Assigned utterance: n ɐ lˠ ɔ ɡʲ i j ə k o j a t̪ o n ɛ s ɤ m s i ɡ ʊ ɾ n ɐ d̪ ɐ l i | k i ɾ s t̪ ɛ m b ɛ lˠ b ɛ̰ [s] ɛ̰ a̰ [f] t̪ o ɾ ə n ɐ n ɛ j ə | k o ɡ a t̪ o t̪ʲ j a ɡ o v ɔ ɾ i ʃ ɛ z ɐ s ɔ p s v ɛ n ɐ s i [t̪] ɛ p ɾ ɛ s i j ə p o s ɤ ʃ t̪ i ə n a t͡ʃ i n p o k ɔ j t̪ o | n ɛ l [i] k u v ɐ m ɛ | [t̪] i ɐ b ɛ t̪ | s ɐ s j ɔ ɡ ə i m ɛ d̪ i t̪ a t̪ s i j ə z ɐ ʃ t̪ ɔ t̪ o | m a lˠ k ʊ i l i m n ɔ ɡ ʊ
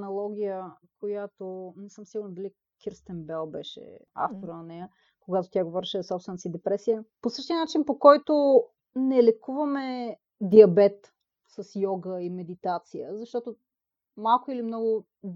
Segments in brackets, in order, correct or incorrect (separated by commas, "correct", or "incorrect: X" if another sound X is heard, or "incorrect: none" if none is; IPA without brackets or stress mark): incorrect: ʃ, correct, incorrect: d̪, incorrect: ɛ, incorrect: d̪